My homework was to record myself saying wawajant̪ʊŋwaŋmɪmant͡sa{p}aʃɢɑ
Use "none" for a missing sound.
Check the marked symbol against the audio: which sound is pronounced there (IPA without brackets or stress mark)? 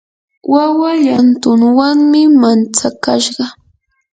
k